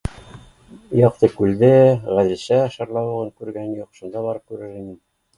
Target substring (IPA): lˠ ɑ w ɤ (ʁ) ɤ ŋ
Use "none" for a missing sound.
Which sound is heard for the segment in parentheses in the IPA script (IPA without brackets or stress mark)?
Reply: ʁ